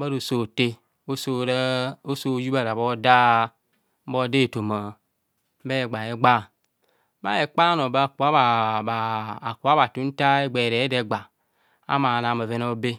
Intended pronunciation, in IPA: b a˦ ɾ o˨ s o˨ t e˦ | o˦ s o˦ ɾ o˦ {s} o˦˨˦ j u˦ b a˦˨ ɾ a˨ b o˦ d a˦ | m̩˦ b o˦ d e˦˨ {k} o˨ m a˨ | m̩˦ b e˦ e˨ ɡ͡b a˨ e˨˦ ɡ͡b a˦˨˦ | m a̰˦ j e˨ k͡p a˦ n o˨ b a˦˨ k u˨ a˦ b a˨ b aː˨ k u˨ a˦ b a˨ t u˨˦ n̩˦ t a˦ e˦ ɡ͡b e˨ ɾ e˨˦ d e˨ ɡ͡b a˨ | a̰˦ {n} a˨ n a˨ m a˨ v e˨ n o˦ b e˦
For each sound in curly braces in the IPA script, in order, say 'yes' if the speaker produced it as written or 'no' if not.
yes, no, no

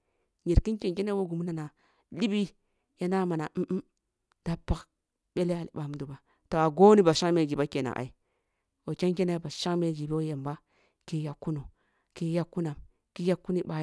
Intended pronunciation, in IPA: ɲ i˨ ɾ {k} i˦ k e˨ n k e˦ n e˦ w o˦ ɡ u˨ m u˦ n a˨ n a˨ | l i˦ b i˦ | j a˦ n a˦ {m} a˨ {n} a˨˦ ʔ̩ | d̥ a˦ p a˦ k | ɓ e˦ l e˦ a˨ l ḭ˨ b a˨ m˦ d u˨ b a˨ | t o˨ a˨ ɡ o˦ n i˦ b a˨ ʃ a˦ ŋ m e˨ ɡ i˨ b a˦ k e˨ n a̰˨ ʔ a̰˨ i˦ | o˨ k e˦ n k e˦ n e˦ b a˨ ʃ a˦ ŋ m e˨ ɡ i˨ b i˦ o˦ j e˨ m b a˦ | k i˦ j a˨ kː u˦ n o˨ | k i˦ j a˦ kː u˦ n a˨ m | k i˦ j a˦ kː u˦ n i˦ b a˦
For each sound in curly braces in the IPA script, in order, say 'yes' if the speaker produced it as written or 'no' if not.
yes, yes, yes

